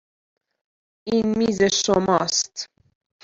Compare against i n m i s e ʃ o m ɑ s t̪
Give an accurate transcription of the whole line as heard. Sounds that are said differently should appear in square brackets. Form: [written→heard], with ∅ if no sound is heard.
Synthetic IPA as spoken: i n m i [s→z] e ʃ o m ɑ s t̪